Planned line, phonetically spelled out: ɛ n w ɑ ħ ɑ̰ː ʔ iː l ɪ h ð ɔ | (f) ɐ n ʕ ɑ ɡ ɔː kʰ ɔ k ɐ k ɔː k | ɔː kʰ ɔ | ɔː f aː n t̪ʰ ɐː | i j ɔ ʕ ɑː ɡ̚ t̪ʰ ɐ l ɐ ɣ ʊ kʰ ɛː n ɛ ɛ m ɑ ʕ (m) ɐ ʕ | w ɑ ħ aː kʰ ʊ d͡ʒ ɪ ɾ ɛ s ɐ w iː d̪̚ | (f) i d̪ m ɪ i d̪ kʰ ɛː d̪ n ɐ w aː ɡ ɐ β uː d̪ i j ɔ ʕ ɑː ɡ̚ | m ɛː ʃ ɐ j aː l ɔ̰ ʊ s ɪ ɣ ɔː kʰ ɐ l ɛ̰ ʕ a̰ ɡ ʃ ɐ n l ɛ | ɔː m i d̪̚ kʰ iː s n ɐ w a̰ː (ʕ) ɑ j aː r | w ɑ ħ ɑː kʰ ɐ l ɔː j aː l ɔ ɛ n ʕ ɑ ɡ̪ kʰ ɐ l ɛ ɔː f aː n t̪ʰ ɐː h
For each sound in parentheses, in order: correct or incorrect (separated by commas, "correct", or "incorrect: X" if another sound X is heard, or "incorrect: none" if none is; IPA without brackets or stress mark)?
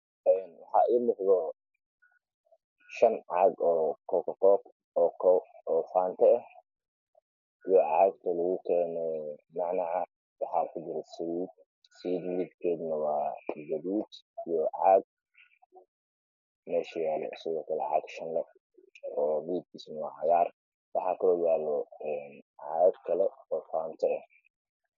incorrect: ʃ, incorrect: n, incorrect: s, correct